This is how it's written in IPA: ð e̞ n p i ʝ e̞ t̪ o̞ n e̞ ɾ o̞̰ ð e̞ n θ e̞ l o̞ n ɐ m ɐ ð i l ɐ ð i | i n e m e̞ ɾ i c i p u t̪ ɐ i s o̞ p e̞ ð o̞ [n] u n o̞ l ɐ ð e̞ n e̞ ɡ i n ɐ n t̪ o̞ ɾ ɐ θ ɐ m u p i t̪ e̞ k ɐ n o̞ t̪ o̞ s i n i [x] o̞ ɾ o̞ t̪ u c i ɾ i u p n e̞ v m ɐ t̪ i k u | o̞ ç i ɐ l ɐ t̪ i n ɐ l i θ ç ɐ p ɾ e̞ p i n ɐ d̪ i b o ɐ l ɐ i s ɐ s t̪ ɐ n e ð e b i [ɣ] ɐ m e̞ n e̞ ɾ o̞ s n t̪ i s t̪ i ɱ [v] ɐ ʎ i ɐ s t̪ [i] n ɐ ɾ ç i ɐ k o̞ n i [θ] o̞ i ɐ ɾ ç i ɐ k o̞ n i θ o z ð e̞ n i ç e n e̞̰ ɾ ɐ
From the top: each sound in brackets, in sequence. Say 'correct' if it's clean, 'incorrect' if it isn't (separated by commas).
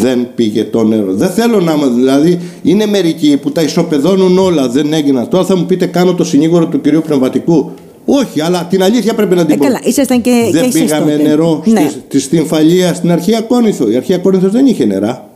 correct, incorrect, correct, incorrect, correct, correct